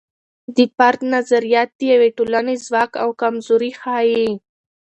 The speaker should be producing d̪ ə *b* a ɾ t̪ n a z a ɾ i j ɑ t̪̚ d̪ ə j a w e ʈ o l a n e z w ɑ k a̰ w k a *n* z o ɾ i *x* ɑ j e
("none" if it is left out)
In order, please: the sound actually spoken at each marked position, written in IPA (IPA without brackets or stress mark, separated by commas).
p, m, x